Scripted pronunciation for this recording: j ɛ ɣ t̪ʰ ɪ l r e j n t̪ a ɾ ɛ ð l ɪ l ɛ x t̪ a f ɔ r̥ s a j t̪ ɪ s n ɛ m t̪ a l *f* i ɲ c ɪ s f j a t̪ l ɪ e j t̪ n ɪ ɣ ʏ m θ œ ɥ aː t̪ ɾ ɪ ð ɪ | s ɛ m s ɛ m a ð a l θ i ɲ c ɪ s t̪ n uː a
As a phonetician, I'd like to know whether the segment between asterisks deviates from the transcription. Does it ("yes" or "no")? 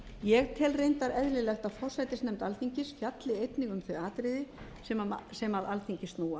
yes